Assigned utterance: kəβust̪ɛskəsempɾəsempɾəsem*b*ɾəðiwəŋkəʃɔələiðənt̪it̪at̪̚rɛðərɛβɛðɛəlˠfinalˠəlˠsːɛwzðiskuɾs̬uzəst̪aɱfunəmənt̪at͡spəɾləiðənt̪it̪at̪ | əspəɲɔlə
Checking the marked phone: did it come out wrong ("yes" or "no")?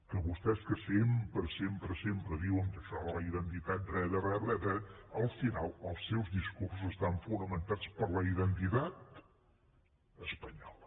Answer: yes